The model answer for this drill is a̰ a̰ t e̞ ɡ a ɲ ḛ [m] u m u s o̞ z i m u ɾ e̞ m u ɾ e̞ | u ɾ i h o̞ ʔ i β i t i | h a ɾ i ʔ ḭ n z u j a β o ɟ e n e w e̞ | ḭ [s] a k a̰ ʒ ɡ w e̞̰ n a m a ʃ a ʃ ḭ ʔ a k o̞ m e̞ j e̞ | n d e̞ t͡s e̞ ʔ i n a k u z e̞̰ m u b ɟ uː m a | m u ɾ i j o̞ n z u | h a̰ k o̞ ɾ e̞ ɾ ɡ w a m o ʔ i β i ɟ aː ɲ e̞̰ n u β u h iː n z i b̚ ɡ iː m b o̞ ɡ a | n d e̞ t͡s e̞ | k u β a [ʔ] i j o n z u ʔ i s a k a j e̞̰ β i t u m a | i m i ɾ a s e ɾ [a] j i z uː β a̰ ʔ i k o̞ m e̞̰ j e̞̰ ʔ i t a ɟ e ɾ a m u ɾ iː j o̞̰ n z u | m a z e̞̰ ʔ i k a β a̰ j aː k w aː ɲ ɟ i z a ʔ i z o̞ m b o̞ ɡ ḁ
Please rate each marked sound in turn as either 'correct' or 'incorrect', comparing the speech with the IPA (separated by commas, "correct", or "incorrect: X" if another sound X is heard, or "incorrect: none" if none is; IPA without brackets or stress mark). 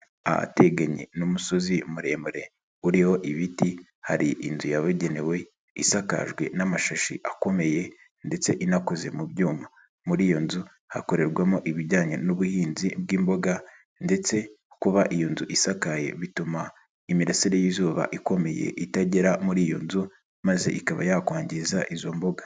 incorrect: n, correct, correct, incorrect: e